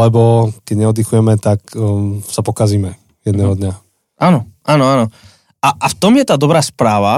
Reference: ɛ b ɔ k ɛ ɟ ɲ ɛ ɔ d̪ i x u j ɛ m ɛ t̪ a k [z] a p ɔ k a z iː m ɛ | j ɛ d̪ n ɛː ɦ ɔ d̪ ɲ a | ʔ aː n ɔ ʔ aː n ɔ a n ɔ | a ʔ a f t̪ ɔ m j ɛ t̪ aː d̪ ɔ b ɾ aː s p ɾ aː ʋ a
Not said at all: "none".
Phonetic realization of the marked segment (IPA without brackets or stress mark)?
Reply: s